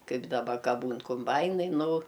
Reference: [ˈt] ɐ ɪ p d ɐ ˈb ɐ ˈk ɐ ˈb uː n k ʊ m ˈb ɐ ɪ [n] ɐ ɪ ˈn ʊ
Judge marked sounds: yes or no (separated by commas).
no, yes